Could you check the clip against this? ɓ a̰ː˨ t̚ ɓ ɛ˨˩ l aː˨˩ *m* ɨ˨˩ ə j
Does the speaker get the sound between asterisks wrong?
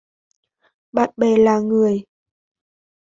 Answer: yes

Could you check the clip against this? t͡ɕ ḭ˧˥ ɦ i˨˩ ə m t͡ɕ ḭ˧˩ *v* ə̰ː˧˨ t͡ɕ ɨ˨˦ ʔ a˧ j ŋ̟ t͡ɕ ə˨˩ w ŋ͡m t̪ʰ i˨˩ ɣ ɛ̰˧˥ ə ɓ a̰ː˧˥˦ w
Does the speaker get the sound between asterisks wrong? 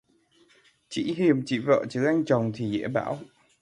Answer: no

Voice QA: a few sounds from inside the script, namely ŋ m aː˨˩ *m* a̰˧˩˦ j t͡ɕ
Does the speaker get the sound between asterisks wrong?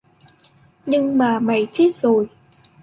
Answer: no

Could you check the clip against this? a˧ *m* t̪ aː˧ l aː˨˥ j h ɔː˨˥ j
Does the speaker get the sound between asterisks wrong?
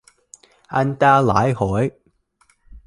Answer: yes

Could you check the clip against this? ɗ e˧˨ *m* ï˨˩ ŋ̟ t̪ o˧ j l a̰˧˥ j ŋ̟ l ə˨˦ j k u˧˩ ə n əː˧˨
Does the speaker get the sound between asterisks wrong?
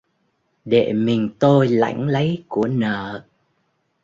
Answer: no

